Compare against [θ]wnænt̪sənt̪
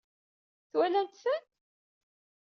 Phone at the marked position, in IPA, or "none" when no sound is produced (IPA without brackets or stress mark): θ